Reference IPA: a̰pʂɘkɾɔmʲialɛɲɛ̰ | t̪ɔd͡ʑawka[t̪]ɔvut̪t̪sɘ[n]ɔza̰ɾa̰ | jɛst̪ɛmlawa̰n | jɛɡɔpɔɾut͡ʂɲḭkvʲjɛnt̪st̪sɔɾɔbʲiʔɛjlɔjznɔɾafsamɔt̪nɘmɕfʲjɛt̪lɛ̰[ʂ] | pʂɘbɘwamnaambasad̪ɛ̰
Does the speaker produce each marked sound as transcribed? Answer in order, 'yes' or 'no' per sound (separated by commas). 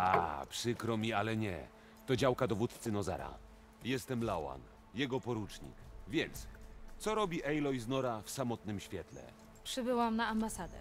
no, yes, no